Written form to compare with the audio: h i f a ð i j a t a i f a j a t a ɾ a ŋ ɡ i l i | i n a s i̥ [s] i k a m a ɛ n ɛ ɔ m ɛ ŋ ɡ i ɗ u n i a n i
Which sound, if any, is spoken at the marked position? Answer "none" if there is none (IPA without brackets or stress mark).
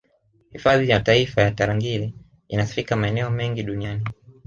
f